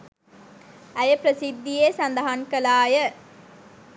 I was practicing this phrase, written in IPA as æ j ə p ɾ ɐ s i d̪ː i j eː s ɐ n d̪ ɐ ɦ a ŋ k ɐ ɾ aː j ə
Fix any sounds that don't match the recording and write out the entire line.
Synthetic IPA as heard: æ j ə p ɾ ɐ s i d̪ː i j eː s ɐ n d̪ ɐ ɦ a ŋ k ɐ l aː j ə